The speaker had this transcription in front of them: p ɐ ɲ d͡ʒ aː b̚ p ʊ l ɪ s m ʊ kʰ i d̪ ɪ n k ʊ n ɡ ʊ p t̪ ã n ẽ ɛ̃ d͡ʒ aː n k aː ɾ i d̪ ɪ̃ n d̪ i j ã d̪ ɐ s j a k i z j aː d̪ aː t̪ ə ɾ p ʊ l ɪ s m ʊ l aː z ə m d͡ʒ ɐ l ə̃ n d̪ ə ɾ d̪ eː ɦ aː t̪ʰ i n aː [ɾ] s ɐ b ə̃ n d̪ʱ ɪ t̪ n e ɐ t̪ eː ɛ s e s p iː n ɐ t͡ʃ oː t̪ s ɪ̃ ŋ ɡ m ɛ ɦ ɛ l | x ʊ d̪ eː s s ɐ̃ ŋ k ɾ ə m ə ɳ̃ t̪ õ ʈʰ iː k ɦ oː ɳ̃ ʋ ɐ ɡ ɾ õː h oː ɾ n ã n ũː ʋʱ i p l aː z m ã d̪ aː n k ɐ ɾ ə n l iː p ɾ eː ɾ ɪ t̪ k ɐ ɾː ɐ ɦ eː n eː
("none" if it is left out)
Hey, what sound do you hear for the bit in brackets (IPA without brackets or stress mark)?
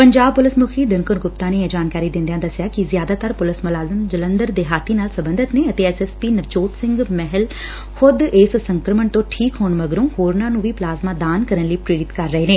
l